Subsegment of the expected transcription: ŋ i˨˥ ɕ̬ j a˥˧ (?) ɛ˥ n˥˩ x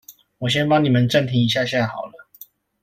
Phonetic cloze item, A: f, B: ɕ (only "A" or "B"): B